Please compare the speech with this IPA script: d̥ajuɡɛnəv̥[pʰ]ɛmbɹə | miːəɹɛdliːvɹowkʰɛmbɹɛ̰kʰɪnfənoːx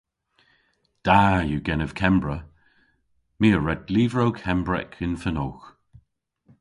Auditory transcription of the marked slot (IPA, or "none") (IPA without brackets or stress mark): kʰ